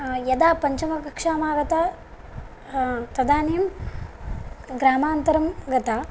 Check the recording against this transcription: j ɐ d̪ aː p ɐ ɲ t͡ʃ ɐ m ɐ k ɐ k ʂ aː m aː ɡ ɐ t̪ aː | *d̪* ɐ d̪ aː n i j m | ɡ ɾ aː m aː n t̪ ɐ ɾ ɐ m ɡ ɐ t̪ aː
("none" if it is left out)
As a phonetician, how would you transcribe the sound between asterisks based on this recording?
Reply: t̪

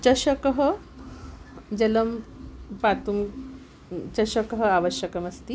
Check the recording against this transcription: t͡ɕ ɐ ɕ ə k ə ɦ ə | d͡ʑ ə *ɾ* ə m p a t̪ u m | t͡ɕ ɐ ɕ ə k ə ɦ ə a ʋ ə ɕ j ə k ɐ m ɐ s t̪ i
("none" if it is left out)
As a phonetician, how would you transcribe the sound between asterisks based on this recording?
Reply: l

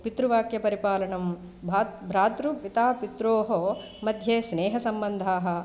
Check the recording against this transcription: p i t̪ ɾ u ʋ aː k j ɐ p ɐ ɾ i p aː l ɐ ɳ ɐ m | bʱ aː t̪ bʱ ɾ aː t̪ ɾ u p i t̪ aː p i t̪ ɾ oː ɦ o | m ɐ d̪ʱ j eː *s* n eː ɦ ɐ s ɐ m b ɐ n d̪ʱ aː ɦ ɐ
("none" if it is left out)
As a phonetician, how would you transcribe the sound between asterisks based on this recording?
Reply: s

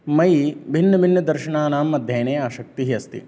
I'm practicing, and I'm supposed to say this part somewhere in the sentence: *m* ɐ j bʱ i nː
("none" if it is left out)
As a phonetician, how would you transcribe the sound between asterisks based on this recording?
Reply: m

